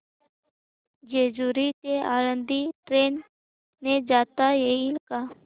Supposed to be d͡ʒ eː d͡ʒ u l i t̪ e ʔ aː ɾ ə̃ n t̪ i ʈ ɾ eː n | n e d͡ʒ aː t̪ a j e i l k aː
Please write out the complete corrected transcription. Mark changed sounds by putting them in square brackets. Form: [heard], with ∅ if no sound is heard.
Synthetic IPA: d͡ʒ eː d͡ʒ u [ɾ] i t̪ e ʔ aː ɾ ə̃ n [d̪] i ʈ ɾ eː n | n e d͡ʒ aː t̪ a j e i l k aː